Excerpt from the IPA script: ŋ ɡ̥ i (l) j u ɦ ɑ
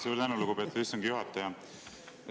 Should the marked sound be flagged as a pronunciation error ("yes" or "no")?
yes